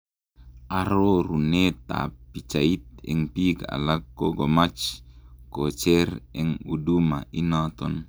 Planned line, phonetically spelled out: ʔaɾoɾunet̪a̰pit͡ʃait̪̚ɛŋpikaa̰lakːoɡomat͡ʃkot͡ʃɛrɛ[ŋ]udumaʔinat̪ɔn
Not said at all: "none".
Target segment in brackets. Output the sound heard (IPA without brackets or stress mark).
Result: ŋ